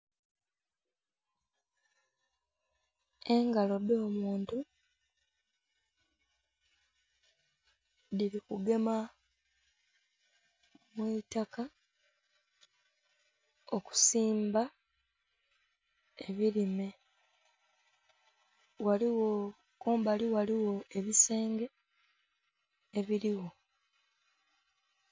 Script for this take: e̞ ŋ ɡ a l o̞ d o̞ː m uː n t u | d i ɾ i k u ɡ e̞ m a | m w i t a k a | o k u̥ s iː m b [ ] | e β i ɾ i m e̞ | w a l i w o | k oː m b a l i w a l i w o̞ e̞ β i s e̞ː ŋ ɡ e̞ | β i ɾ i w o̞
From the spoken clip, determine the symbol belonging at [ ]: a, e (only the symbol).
a